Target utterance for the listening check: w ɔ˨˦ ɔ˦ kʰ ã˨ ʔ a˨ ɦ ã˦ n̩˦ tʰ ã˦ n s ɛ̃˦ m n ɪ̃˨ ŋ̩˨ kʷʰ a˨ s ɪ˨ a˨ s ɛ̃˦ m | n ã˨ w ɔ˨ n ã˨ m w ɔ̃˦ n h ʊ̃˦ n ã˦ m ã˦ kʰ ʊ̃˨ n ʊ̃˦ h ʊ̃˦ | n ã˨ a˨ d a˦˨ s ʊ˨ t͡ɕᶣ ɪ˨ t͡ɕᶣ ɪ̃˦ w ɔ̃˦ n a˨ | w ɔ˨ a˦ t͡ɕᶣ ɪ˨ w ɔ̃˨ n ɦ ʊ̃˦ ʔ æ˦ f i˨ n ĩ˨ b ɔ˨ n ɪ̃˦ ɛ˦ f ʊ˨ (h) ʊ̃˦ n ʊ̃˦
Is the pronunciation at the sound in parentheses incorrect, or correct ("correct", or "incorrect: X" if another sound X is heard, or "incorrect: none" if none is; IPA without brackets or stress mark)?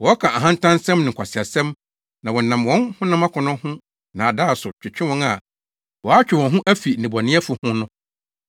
correct